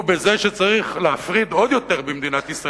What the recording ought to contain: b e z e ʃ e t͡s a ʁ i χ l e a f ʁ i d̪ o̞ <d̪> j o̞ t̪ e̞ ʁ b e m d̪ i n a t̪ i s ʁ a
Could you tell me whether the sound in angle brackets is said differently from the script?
no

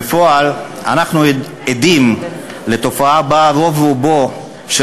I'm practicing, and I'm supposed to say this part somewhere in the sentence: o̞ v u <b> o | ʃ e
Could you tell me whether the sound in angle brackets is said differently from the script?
no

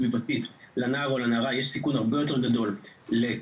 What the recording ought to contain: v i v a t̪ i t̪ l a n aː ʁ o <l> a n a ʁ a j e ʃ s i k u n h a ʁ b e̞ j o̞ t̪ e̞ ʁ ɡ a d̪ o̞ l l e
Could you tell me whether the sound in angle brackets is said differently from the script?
no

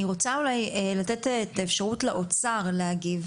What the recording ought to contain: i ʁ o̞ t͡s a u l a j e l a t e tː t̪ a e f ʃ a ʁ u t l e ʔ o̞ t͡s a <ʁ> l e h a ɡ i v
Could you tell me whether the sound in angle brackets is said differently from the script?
no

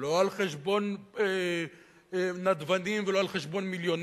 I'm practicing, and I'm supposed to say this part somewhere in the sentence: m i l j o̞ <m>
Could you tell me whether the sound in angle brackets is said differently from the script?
yes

